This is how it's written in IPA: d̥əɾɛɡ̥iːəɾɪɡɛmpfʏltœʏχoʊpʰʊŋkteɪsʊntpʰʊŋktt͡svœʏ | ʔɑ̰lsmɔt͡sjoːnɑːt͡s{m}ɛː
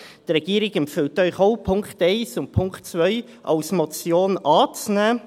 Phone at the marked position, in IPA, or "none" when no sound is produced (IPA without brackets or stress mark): n